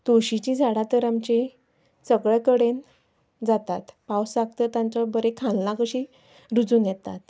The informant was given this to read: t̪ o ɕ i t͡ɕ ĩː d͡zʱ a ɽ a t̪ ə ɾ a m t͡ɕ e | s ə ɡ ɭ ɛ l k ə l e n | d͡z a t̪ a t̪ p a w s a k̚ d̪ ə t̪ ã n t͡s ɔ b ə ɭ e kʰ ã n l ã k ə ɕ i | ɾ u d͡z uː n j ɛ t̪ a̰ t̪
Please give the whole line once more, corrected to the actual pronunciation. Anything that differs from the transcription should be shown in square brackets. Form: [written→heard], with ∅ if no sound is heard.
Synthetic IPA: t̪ o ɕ i t͡ɕ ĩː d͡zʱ a ɽ a t̪ ə ɾ a m t͡ɕ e | s ə ɡ ɭ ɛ [l→∅] k ə [l→ɽ] e n | d͡z a t̪ a t̪ p a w s a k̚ [d̪→t̪] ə t̪ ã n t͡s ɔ b ə [ɭ→ɾ] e kʰ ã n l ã k ə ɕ i | ɾ u d͡z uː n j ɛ t̪ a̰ t̪